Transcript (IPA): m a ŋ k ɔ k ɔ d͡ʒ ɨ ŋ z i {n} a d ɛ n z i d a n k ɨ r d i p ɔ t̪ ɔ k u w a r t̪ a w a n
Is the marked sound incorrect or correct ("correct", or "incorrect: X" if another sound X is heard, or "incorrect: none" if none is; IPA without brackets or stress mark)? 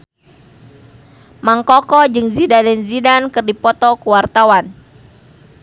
incorrect: d